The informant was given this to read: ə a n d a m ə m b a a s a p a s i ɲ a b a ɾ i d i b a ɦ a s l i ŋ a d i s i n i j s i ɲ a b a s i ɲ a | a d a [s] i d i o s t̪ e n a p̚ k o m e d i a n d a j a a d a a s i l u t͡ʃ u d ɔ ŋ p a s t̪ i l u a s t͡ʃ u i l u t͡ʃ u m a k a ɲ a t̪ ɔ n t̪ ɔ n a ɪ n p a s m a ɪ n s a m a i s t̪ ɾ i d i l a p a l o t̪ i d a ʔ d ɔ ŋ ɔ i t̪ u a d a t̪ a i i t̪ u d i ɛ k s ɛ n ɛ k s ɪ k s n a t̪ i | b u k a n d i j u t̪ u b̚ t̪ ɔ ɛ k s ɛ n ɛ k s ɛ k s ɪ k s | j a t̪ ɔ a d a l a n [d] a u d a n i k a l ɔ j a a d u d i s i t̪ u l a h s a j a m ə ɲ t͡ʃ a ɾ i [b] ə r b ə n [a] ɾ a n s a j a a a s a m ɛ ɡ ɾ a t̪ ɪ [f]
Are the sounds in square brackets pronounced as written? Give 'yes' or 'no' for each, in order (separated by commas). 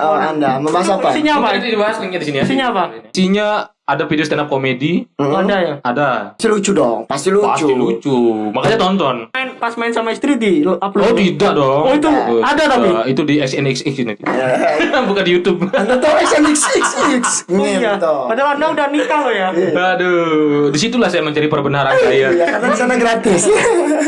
no, yes, no, yes, no